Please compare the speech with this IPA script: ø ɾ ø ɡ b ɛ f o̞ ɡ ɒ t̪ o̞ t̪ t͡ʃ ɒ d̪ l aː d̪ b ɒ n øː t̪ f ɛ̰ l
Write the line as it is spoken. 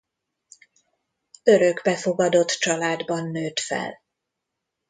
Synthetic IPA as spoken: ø ɾ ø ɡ b ɛ f o̞ ɡ ɒ d̪ o̞ t̪ t͡ʃ ɒ l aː d̪ b ɒ nː øː t̪ f ɛ̰ l

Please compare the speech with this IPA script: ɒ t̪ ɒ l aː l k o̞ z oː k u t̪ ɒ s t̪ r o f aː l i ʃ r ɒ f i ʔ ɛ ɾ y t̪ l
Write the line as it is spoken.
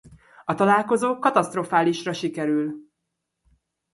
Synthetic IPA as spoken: ɒ t̪ ɒ l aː l k o̞ z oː k ɒ t̪ ɒ s t̪ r o f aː l i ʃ r ɒ ʃ i k ɛ ɾ y l

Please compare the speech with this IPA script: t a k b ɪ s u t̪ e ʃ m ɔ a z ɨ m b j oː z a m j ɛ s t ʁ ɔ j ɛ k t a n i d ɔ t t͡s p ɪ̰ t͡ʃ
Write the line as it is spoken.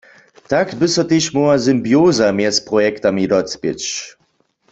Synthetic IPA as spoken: t a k b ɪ s ɔ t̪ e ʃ m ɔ a z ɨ m b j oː z a m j ɛ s p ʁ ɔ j ɛ k t a m i d ɔ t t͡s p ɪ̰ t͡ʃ

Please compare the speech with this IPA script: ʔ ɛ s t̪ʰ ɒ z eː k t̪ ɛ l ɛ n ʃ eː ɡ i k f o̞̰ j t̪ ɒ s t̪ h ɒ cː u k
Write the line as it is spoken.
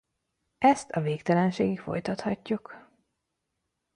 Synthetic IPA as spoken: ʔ ɛ s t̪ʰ ɒ v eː k t̪ ɛ l ɛ n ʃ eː ɡ i k f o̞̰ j t̪ ɒ t̪ h ɒ cː u k

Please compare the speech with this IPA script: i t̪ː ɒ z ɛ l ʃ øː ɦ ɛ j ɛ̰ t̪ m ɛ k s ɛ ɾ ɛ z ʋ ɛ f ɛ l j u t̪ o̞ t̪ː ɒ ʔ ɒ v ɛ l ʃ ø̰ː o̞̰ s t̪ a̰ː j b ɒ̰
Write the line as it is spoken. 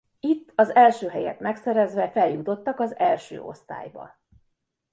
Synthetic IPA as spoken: i t̪ː ɒ z ɛ l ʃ øː ɦ ɛ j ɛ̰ t̪ m ɛ k s ɛ ɾ ɛ z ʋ ɛ f ɛ l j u t̪ o̞ t̪ː ɒ k ɒ z ɛ l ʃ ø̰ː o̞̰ s t̪ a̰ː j b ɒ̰

